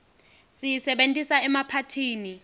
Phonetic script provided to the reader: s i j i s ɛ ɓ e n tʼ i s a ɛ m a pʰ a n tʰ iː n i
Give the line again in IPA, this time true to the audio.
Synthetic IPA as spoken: s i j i s ɛ ɓ e n tʼ i s a ɛ m a pʰ a tʰ iː n i